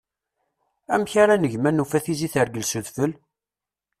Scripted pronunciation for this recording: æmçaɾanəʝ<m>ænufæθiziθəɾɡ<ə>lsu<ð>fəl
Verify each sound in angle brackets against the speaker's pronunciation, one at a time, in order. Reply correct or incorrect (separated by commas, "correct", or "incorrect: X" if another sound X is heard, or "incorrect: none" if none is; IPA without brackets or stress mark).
correct, correct, correct